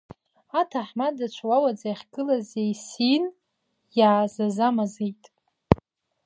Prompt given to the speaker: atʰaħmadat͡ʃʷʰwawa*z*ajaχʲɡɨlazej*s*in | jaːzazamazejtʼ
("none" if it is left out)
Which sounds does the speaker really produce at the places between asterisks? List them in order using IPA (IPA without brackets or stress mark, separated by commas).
d͡z, s